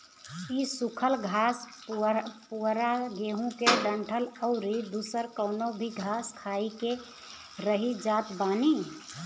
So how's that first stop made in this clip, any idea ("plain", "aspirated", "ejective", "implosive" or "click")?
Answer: aspirated